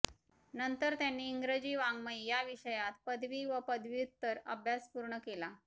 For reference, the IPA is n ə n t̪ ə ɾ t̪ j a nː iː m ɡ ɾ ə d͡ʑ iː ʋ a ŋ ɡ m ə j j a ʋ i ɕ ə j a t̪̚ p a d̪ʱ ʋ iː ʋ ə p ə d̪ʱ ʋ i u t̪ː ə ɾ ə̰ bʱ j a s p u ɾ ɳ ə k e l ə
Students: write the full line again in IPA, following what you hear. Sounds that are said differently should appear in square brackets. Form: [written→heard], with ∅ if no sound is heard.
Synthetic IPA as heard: n ə n t̪ ə ɾ t̪ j a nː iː [m→ŋ] ɡ ɾ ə d͡ʑ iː ʋ a ŋ ɡ m ə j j a ʋ i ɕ ə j a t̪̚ p [a→ə] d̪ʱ ʋ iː ʋ ə p ə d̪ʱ ʋ i u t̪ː ə ɾ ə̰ bʱ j a s p u ɾ ɳ ə k e l [ə→a]